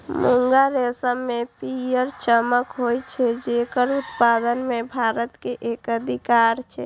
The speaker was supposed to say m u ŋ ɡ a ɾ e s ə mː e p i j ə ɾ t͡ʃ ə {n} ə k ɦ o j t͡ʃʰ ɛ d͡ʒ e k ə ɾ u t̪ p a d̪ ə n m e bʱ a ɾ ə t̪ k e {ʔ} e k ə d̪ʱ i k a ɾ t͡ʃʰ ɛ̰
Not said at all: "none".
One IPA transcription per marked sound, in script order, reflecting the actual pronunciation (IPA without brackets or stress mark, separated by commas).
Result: m, ʔ